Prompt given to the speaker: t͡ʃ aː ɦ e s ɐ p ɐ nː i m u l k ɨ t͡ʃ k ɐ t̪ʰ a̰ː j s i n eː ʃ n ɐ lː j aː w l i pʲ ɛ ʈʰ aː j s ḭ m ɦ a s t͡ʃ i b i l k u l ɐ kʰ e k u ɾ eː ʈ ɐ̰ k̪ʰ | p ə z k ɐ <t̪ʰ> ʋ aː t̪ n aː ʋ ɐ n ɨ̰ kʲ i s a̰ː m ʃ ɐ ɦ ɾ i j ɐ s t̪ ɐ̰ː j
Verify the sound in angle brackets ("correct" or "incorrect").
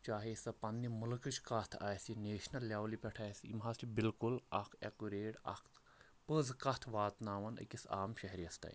correct